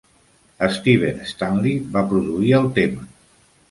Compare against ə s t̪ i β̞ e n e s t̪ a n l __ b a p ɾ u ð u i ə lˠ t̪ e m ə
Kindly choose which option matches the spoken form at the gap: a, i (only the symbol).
i